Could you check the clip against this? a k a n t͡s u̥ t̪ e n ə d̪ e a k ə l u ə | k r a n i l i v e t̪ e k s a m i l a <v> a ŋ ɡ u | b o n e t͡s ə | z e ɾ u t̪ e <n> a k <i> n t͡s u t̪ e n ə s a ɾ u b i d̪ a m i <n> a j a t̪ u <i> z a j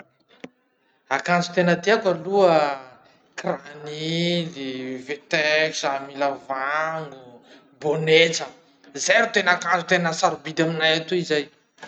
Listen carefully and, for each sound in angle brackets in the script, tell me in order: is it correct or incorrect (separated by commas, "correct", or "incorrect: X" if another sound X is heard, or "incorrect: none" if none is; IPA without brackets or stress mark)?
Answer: correct, correct, incorrect: a, correct, correct